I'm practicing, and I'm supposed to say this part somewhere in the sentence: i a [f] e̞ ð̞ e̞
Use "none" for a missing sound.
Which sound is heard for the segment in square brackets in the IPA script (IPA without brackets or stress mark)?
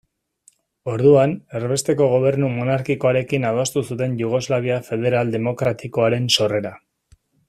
f